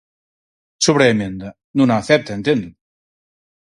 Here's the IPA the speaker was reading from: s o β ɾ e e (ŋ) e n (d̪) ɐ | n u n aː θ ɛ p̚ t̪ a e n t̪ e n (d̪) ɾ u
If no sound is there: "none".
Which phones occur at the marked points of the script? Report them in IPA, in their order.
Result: m, d̪, d̪

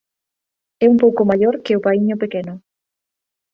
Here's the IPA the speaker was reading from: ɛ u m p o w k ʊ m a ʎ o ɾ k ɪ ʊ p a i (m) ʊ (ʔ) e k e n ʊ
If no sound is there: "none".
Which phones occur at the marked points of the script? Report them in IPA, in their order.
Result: ɲ, p

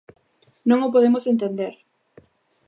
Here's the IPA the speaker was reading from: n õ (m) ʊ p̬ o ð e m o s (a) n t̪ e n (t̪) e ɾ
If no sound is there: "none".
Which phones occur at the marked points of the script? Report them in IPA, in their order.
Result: ŋ, e, d̪

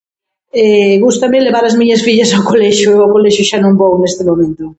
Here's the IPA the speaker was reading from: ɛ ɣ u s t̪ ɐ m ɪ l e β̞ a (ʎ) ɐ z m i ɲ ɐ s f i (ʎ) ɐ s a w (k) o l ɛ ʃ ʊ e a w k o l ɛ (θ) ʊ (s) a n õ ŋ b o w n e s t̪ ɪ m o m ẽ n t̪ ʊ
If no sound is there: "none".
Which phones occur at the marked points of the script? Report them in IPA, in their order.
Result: ɾ, ʎ, k, ʃ, ʃ

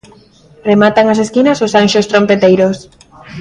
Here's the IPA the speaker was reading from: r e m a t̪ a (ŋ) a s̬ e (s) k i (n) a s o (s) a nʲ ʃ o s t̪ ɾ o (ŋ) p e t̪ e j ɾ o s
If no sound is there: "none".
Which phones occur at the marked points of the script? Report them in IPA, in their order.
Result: ŋ, s, n, s, m

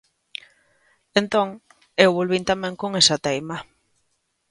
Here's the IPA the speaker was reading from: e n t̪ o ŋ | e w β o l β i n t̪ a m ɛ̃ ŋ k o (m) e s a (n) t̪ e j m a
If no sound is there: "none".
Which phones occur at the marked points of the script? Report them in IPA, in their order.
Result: ŋ, none

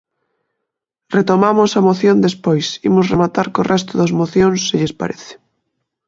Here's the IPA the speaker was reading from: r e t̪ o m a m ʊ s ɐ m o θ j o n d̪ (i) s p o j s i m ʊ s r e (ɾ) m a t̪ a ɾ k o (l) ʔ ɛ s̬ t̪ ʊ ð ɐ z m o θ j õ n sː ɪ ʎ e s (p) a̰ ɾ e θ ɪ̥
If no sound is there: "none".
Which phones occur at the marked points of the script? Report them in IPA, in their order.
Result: e, none, r, p

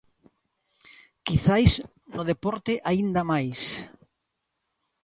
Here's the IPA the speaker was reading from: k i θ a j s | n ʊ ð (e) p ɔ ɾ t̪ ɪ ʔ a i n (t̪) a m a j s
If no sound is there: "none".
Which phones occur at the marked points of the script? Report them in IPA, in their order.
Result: e, d̪

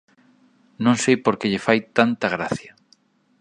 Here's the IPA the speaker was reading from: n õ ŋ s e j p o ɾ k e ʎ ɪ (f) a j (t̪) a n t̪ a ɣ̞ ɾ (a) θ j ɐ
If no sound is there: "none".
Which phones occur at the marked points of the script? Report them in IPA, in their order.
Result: f, t̪, a

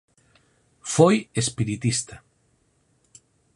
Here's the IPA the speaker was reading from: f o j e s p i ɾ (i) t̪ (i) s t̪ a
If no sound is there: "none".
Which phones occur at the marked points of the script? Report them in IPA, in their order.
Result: i, i

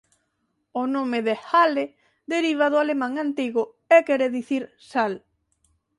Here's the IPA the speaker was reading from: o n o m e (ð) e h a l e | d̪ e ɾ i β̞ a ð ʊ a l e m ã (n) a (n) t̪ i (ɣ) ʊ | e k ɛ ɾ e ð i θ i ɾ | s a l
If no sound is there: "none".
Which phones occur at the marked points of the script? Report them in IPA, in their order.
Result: ð, ŋ, n, ɣ

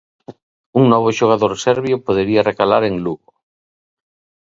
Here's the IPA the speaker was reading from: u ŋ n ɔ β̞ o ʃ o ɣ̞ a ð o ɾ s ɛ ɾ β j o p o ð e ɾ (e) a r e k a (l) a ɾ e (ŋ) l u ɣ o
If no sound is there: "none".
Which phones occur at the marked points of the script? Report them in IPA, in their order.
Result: i, l, ŋ

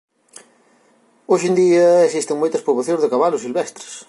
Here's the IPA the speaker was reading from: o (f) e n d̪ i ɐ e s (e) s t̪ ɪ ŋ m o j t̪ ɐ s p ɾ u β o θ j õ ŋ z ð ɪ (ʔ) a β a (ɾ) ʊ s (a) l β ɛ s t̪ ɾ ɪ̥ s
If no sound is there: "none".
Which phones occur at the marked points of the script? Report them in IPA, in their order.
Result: ʃ, i, k, l, i

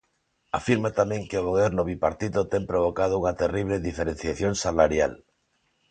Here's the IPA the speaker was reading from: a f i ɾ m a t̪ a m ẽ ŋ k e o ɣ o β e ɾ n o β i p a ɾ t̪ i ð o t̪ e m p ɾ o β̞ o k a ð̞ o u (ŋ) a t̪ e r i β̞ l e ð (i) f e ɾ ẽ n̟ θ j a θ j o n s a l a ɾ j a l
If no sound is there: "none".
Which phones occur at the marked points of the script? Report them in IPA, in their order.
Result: ŋ, i

